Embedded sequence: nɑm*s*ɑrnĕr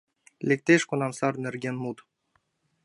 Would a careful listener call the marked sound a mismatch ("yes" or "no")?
no